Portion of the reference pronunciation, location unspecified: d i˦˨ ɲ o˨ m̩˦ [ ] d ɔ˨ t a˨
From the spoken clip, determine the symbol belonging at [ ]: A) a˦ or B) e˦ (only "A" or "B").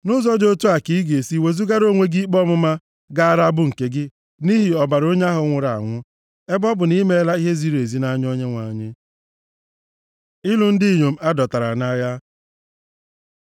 A